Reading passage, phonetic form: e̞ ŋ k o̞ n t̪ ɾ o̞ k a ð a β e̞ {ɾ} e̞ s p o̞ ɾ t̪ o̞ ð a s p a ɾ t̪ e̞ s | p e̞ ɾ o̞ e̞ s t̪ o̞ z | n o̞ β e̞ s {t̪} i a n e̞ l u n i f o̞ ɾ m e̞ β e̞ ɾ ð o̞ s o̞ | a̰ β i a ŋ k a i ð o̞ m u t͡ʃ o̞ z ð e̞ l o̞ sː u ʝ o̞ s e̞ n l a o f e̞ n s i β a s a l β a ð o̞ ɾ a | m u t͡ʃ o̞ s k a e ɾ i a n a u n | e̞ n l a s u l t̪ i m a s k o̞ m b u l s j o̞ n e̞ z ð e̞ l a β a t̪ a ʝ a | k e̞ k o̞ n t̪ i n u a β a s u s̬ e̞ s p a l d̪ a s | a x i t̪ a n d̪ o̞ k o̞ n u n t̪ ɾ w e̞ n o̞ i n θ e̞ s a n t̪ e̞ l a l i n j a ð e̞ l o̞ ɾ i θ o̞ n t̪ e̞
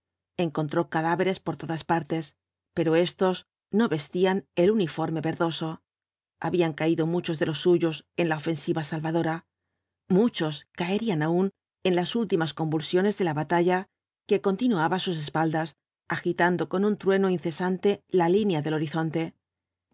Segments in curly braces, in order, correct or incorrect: correct, correct

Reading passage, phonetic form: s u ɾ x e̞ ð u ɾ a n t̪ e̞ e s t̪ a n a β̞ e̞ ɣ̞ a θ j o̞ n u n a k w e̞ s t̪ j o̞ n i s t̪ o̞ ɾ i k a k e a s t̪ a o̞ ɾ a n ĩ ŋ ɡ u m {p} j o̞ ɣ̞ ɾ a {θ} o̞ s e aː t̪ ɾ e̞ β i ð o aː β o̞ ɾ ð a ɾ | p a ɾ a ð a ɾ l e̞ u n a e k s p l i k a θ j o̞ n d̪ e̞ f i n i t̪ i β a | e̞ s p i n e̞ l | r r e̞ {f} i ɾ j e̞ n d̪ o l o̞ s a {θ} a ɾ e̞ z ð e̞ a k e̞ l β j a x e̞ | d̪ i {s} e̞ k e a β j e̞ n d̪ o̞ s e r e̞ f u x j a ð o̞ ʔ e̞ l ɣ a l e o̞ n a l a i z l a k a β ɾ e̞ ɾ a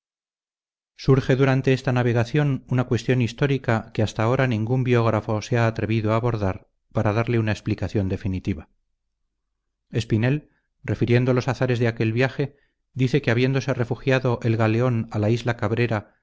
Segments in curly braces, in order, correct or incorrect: incorrect: b, incorrect: f, correct, correct, incorrect: θ

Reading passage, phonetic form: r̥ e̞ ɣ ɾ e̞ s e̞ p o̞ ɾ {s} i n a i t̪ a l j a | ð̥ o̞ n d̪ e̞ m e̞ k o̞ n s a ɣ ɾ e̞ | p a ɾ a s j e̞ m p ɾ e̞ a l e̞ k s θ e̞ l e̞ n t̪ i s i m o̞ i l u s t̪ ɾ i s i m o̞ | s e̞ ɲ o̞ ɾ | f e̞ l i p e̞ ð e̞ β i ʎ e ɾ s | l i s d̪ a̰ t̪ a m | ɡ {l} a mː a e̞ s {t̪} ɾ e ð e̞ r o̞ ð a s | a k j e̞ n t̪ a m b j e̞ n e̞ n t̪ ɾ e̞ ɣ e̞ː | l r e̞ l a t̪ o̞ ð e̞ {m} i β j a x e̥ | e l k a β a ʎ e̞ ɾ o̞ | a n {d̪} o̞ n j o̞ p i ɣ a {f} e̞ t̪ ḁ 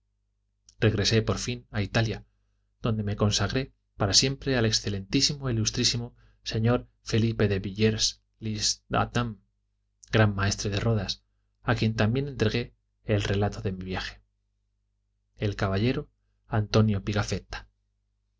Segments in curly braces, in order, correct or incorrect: incorrect: f, incorrect: ɾ, correct, correct, incorrect: t̪, correct

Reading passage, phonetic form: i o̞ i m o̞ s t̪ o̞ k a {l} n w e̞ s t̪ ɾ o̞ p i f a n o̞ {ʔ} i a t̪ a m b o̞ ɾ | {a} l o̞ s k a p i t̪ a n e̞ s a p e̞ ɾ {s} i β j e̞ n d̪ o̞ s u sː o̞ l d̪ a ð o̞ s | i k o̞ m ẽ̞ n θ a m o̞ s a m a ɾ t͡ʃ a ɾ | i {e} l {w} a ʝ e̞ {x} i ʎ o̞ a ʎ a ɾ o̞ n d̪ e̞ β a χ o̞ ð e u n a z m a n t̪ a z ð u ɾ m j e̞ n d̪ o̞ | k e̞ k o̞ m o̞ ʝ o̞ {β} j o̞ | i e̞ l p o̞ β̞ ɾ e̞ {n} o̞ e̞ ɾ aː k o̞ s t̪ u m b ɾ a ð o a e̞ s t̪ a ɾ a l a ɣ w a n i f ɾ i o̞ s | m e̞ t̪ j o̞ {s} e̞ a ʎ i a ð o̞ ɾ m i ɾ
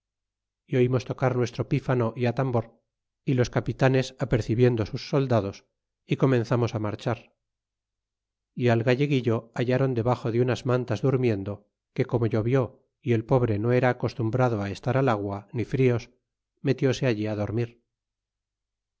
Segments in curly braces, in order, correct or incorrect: incorrect: ɾ, correct, incorrect: i, incorrect: θ, incorrect: a, incorrect: ɣ, incorrect: ɣ, correct, correct, correct

